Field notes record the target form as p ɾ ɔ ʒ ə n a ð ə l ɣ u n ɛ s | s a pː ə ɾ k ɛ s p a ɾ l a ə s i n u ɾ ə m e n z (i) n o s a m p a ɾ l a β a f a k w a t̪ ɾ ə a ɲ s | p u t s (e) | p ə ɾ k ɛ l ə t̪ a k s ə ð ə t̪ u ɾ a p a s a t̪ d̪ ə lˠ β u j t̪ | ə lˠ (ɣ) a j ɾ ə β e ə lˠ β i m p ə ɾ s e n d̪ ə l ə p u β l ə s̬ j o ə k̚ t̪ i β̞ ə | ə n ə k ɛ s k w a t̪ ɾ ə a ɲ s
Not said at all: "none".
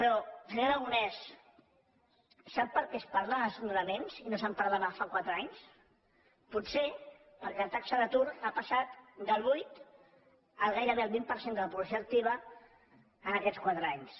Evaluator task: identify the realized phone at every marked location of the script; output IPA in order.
i, e, ɣ

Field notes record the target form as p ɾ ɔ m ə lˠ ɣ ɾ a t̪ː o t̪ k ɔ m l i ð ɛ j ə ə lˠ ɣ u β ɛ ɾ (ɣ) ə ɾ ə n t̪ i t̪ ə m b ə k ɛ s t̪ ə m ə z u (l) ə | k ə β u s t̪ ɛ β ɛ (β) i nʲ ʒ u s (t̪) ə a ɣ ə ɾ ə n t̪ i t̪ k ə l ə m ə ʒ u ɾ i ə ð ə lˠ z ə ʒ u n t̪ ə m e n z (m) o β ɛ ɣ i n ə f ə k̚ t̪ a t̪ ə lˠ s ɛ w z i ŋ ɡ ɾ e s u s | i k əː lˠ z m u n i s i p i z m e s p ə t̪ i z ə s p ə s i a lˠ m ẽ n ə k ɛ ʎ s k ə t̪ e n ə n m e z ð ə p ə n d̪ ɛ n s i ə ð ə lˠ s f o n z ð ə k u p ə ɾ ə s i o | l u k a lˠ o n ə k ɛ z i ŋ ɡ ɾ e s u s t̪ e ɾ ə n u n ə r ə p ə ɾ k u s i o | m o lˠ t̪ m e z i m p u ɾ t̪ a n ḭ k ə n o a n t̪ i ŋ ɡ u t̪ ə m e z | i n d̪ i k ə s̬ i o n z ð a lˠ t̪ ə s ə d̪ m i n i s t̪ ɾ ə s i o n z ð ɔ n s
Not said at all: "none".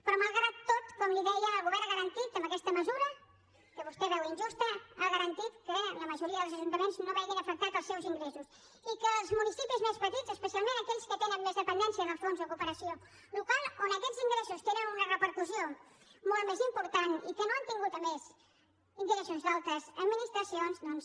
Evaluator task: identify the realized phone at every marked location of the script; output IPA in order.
ɣ, ɾ, w, t̪, n

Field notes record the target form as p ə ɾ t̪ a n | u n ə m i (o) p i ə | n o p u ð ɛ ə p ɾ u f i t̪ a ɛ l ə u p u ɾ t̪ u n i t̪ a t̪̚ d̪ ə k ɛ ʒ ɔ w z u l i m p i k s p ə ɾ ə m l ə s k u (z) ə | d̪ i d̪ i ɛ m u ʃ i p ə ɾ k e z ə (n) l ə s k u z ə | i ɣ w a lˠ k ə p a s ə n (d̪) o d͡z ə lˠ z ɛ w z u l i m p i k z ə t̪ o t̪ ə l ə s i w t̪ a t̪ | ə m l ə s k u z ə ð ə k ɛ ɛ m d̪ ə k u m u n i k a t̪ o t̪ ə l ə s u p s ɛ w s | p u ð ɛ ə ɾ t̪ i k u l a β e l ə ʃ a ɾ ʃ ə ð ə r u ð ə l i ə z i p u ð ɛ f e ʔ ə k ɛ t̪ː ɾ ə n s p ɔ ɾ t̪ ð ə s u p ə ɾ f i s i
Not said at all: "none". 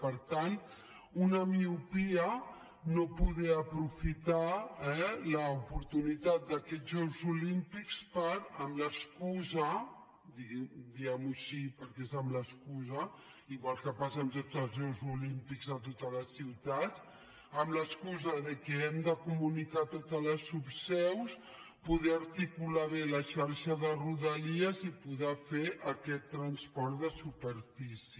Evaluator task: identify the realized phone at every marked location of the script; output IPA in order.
u, z, m, t̪

